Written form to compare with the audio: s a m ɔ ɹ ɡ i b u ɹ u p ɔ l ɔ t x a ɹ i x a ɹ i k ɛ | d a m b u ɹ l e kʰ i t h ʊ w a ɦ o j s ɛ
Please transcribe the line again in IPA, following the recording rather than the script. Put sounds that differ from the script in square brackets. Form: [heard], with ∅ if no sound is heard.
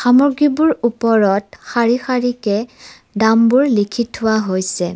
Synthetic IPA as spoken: [x] a m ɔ ɹ ɡ i b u ɹ u p ɔ [ɹ] ɔ t x a ɹ i x a ɹ i k ɛ | d a m b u ɹ l [i] kʰ i t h ʊ w a ɦ o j s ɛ

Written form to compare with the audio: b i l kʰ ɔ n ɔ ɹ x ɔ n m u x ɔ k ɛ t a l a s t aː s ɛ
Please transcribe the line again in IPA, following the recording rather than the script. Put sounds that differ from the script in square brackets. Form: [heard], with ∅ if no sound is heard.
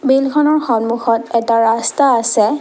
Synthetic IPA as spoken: b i l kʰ ɔ n ɔ ɹ x ɔ n m u x ɔ [t] ɛ t a [ɹ] a s t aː s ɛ

